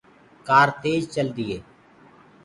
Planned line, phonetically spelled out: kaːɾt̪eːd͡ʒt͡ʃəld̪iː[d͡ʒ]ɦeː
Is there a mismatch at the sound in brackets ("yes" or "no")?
yes